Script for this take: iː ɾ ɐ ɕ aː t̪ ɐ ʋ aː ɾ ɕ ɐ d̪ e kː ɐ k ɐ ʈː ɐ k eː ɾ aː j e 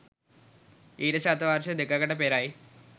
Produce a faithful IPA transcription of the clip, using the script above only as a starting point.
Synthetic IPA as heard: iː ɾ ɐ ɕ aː t̪ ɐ ʋ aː ɾ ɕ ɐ d̪ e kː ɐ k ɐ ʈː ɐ p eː ɾ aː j i